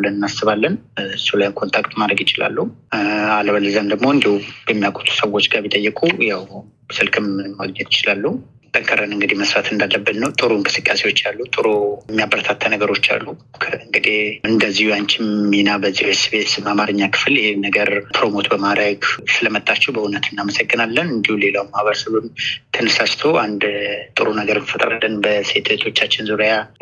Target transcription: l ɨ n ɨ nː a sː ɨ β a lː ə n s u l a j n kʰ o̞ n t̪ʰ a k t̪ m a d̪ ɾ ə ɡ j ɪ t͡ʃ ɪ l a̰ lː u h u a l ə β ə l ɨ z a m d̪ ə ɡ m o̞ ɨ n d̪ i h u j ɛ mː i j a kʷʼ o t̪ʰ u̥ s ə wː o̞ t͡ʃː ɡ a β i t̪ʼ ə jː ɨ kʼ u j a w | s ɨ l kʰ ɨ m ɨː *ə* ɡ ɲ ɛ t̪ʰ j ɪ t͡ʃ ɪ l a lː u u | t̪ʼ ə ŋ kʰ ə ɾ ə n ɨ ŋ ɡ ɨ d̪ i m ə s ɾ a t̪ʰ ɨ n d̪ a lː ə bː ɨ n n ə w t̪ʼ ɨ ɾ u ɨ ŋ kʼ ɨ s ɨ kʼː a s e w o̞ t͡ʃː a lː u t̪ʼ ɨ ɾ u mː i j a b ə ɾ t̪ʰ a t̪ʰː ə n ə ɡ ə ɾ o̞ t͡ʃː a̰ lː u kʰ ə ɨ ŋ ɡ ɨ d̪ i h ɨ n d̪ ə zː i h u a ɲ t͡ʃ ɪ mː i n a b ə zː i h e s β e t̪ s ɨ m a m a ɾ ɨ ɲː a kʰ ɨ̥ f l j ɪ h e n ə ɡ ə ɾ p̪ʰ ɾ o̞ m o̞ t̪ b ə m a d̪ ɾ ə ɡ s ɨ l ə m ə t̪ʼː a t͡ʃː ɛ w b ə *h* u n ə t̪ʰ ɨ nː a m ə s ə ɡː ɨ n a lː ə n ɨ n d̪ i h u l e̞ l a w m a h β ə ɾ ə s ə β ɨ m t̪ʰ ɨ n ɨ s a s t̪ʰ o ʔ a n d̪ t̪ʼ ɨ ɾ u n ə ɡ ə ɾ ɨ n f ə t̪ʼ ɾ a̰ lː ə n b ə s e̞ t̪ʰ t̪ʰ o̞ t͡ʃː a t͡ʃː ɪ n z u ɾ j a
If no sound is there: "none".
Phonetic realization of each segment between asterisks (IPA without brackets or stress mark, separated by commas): a, h